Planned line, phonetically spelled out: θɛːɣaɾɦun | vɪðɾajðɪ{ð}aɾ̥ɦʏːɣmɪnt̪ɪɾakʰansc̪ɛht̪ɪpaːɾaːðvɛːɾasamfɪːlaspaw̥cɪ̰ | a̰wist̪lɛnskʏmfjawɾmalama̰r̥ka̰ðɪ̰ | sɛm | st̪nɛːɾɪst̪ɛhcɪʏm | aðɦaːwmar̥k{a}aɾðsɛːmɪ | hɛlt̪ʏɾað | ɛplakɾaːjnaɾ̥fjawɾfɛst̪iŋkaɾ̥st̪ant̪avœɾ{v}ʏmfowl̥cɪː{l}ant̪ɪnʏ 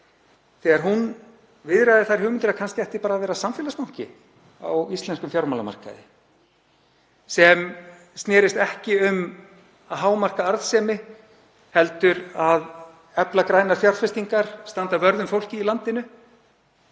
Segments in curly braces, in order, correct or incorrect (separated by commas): incorrect, correct, incorrect, correct